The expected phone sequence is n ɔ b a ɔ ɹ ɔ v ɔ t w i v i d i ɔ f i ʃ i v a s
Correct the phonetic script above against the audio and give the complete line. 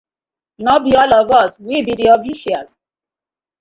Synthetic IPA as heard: n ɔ b i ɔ l ɔ v ɔ s w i b i d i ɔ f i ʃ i a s